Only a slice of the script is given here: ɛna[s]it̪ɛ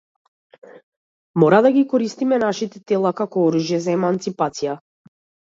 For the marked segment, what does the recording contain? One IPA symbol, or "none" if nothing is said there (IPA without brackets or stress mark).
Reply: ʃ